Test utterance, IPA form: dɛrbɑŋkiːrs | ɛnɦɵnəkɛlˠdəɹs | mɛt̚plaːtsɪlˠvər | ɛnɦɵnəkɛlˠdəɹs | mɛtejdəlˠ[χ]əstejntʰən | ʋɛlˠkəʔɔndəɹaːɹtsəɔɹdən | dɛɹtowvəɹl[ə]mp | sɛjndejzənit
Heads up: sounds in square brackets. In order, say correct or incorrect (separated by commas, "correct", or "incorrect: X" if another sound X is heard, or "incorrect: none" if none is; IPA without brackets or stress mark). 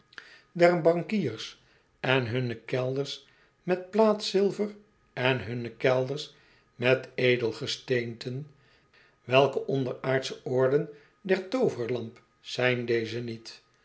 correct, incorrect: ɑ